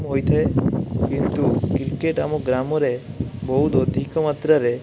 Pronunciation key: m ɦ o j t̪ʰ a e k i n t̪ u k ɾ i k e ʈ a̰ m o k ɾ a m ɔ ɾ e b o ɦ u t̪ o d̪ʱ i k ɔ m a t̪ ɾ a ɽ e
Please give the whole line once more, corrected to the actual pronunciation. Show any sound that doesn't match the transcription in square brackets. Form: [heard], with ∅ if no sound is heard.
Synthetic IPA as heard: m ɦ o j t̪ʰ a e k i n t̪ u k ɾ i k e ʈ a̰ m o [ɡ] ɾ a m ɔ ɾ e b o ɦ u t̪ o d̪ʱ i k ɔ m a t̪ ɾ a [ɾ] e

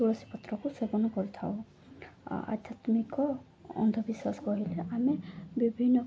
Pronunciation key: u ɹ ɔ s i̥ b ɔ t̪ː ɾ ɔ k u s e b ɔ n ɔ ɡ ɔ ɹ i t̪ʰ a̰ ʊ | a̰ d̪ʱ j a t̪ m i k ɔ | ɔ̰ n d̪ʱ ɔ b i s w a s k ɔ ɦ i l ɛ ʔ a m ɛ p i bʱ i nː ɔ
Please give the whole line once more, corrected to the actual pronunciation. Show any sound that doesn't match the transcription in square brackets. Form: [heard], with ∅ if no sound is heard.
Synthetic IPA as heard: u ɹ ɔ s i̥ [p] ɔ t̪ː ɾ ɔ k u s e b ɔ n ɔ [k] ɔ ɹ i t̪ʰ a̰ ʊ | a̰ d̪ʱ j a t̪ m i k ɔ | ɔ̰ n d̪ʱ ɔ b i s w a s k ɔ ɦ i l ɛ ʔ a m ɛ [b] i bʱ i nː ɔ

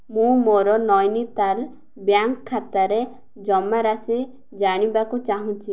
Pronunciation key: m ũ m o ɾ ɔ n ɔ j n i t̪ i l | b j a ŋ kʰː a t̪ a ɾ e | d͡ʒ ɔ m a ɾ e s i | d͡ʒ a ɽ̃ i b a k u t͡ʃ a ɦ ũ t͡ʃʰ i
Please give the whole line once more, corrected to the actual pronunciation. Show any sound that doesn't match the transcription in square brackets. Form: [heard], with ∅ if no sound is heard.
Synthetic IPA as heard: m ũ m o ɾ ɔ n ɔ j n i t̪ [a] l | b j a ŋ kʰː a t̪ a ɾ e | d͡ʒ ɔ m a ɾ [a] s i | d͡ʒ a ɽ̃ i b a k u t͡ʃ a ɦ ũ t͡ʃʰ i

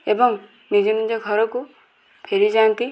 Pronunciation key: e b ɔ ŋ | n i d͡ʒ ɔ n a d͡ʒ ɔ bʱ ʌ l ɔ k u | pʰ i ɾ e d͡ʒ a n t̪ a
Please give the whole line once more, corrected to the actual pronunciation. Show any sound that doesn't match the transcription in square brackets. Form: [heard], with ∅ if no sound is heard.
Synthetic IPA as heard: e b ɔ ŋ | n i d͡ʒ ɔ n [i] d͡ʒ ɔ [ɡʱ] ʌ [ɾ] ɔ k u | pʰ [e] ɾ [i] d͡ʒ a n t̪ [i]

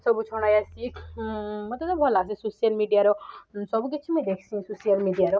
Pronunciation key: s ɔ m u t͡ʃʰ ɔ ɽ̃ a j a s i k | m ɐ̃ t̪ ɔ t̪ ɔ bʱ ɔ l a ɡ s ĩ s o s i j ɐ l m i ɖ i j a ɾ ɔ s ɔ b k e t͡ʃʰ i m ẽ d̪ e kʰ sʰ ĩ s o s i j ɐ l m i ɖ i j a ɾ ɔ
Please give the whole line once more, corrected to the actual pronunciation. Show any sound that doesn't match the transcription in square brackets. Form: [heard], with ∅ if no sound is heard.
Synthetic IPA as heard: s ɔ [b] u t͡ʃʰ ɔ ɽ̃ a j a s i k | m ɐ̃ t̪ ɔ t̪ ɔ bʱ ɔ l a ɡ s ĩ s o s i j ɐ l m i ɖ i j a ɾ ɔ s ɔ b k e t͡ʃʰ i m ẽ d̪ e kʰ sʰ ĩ s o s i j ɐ l m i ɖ i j a ɾ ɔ

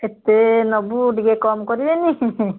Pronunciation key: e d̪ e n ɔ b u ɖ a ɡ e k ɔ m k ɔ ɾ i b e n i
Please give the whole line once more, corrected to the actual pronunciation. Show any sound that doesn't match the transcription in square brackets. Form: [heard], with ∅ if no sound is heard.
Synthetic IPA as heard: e [t̪] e n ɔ b u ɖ [i] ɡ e k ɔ m k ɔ ɾ i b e n i

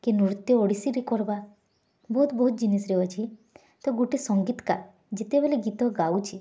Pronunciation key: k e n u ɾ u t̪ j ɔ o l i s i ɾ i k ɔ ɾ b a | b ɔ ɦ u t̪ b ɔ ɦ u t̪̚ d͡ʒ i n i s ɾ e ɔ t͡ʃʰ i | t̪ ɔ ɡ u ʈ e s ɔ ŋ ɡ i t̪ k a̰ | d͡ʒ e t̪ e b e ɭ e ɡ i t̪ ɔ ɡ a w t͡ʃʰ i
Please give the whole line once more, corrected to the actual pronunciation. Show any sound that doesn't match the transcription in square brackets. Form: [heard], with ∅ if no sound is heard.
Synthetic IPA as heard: k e n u ɾ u t̪ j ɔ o [ɽ] i s i ɾ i k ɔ ɾ b a | b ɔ ɦ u t̪ b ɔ ɦ u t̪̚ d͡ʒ i n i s ɾ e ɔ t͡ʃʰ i | t̪ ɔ ɡ u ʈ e s ɔ ŋ ɡ i t̪ k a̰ | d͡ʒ e t̪ e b e [l] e ɡ i t̪ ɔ ɡ a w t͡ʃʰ i

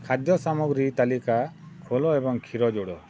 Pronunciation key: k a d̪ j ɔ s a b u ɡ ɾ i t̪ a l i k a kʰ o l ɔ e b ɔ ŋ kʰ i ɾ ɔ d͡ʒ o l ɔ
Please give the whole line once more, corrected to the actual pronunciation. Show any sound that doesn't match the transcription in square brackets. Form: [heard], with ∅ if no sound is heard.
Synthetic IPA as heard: [kʰ] a d̪ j ɔ s a [m] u ɡ ɾ i t̪ a l i k a kʰ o l ɔ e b ɔ ŋ kʰ i ɾ ɔ d͡ʒ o [ɽ] ɔ

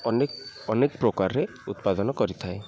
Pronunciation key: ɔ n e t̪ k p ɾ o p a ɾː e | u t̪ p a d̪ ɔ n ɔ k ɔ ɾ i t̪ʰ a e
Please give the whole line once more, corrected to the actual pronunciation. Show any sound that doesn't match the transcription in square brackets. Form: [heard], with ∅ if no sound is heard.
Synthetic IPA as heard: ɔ n e [∅] k p ɾ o [k] a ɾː e | u t̪ p a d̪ ɔ n ɔ k ɔ ɾ i t̪ʰ a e

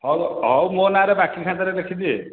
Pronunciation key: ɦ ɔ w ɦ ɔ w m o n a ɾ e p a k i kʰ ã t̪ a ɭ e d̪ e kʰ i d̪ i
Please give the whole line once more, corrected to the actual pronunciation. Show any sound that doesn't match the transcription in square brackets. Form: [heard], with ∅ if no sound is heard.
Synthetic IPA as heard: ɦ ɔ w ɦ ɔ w m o n a ɾ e [b] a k i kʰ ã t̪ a [ɾ] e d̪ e kʰ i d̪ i

